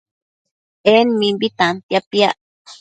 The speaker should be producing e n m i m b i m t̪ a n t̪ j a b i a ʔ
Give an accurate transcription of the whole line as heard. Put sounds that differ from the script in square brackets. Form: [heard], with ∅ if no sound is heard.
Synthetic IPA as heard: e n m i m b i [∅] t̪ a n t̪ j a [p] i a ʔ